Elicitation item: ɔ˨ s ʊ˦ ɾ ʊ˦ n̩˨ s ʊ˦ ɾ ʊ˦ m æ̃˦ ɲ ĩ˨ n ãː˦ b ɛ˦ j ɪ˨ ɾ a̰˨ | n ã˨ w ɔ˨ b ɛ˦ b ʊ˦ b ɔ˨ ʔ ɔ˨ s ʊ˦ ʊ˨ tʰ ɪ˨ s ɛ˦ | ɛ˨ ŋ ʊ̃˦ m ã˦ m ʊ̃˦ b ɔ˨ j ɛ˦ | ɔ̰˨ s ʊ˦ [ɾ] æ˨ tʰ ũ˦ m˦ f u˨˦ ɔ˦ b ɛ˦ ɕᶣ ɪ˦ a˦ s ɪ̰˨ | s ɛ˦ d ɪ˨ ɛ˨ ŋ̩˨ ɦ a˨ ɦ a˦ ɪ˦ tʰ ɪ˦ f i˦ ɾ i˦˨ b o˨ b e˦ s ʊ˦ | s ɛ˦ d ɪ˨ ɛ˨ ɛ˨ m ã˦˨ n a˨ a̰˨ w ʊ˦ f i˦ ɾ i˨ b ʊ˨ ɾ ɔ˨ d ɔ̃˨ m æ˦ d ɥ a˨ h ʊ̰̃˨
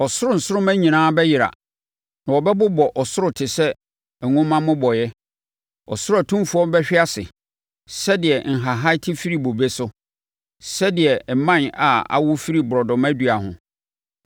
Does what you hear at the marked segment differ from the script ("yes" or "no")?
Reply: no